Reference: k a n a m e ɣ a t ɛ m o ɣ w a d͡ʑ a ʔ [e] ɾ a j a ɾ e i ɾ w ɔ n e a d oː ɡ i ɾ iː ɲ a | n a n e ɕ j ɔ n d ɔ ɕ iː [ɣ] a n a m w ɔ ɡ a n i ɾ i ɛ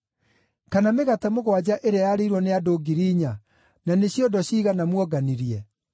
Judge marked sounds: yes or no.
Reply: yes, yes

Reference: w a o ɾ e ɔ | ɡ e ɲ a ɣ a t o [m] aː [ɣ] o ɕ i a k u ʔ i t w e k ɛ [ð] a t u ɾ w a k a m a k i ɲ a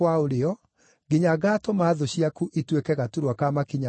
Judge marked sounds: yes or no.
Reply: yes, no, no

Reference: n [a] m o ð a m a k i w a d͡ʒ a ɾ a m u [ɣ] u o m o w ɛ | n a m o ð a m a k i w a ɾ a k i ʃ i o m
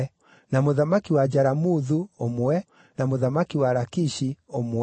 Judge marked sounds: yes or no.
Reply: yes, no

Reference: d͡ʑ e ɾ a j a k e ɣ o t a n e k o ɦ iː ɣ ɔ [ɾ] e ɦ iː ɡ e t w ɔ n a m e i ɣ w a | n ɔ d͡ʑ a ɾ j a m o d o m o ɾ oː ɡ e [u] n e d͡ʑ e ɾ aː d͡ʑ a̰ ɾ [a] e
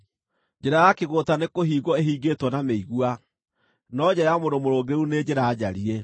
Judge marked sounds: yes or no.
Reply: no, yes, no

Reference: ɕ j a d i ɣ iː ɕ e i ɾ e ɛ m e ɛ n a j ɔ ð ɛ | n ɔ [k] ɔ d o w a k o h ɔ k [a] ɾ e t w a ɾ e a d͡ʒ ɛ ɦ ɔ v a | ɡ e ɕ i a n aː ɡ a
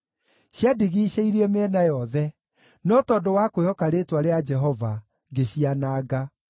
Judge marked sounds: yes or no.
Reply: no, yes

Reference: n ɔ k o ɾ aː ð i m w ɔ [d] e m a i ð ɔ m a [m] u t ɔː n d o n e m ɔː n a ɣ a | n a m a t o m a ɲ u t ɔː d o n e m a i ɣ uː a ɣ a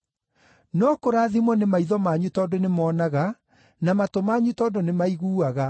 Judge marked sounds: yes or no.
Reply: no, no

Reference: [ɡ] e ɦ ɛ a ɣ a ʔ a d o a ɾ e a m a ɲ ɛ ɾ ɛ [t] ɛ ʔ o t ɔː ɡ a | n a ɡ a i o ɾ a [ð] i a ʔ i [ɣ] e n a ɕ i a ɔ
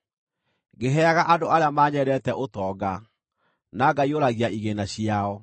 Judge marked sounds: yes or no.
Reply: yes, yes, no, yes

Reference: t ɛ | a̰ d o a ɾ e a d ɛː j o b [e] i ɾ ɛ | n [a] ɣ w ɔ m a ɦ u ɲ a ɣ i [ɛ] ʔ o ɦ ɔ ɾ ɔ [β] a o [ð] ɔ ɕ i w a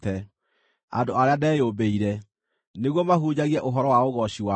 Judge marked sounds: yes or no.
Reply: yes, no, yes, no, no

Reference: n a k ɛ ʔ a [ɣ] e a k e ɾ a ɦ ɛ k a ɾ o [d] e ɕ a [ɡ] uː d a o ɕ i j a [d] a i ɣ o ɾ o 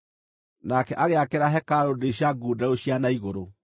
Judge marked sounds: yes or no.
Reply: yes, yes, yes, no

